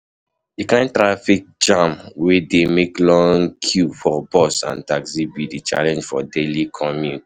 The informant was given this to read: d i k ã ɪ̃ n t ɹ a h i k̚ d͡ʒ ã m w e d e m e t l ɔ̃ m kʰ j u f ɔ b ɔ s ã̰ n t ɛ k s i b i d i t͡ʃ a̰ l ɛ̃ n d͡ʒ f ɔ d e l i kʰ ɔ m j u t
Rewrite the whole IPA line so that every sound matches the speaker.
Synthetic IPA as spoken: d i k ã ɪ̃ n t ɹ a f i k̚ d͡ʒ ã m w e d e m e k l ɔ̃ ŋ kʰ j u f ɔ b ɔ s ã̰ n t a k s i b i d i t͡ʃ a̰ l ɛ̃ n d͡ʒ f ɔ d e l i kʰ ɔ m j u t